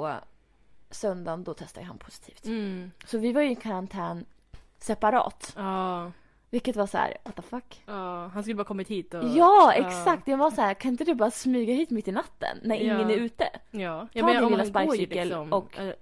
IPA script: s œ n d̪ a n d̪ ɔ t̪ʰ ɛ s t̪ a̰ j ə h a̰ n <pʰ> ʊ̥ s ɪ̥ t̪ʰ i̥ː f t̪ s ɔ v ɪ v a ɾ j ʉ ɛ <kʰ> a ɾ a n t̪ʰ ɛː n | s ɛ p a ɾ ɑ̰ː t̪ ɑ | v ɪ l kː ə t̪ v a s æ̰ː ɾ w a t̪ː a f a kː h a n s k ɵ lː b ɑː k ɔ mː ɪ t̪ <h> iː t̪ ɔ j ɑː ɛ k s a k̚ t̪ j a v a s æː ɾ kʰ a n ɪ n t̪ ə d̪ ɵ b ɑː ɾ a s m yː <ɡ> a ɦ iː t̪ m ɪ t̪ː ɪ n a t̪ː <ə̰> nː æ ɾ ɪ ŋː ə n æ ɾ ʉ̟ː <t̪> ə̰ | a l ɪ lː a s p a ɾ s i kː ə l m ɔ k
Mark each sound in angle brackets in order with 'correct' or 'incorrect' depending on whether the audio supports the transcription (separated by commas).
correct, correct, correct, correct, correct, correct